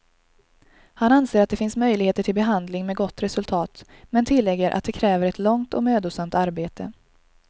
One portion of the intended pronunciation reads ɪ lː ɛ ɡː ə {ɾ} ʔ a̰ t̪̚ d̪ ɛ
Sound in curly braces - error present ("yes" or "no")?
no